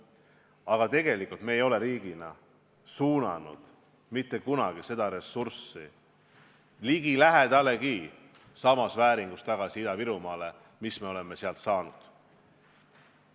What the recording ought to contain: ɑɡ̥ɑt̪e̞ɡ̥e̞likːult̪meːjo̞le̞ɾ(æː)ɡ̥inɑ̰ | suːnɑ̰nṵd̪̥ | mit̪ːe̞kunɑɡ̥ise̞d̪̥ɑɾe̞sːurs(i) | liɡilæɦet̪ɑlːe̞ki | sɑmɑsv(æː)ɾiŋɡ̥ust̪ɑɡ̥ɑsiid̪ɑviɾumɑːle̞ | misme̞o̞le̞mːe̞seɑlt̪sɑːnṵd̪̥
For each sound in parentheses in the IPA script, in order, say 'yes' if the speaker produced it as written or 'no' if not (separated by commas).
no, yes, yes